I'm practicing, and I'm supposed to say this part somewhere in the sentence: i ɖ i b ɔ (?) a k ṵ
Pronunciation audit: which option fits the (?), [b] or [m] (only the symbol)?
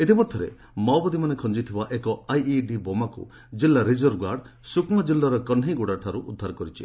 m